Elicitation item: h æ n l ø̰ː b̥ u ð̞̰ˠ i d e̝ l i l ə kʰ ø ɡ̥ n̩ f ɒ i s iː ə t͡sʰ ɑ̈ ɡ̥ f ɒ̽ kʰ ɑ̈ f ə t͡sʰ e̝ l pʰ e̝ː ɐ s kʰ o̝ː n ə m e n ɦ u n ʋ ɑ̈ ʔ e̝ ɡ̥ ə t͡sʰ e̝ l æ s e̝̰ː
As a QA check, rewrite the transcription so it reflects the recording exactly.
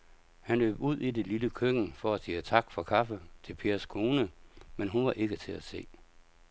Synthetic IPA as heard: h æ n l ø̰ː b̥ u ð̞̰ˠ i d e̝ l i l ə kʰ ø ɡ̥ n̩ f ɒ æ s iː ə t͡sʰ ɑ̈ ɡ̥ f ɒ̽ kʰ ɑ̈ f ə t͡sʰ e̝ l pʰ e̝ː ɐ s kʰ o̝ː n ə m e n ɦ u n ʋ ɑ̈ ʔ e̝ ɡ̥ ə t͡sʰ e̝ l æ s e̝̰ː

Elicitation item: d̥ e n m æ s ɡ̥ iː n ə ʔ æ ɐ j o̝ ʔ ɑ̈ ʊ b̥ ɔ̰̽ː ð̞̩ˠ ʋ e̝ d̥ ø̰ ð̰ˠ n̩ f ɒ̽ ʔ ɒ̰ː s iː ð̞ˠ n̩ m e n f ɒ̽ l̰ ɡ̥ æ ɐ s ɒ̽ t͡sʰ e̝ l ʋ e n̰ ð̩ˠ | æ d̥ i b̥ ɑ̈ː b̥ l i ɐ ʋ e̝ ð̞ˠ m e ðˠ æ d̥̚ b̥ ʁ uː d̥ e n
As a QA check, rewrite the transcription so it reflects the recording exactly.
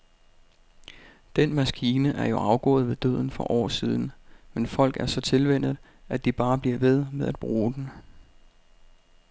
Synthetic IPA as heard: d̥ e n m æ s ɡ̥ iː n ə ʔ æ ɐ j o̝ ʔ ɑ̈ ʊ ɡ̥ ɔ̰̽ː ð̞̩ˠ ʋ e̝ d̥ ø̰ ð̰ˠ n̩ f ɒ̽ ʔ ɒ̰ː s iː ð̞ˠ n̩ m e n f ɒ̽ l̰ ɡ̥ æ ɐ s ɒ̽ t͡sʰ e̝ l ʋ e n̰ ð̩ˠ | æ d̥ i b̥ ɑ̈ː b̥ l i ɐ ʋ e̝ ð̞ˠ m e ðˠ æ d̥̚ b̥ ʁ uː d̥ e n

